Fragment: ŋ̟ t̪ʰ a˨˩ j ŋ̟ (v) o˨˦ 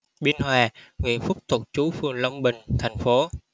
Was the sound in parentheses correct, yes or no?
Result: no